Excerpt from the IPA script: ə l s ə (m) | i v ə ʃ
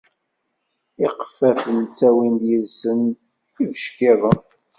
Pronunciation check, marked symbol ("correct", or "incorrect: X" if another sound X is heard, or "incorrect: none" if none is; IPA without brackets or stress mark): incorrect: n